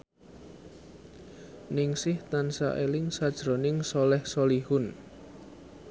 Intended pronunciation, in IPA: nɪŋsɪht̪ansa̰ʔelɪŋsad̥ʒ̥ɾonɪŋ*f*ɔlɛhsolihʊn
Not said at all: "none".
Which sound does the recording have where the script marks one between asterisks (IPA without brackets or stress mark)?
s